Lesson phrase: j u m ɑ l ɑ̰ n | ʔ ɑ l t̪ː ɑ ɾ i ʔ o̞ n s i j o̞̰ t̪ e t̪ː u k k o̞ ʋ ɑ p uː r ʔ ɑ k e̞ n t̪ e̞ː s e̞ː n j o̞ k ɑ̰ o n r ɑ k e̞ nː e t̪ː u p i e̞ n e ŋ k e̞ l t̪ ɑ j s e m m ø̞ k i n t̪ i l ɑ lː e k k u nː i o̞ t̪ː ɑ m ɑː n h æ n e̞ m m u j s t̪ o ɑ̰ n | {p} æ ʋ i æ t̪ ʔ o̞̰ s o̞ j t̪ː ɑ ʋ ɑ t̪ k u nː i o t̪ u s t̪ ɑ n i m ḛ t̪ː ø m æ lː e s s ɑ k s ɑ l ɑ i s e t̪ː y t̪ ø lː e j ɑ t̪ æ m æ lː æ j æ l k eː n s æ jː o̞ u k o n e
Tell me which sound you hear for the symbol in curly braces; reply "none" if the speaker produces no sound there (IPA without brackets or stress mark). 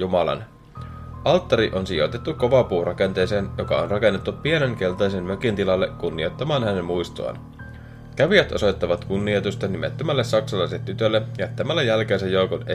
k